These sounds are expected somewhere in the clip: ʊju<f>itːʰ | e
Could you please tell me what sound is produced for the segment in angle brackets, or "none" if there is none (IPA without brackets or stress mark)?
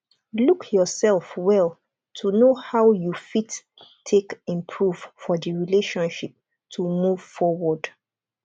f